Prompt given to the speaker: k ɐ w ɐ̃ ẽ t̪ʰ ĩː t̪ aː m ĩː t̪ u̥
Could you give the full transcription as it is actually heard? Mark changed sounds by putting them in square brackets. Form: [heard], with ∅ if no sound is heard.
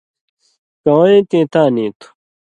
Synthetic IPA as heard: k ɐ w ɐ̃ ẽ [t̪] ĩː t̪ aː [n] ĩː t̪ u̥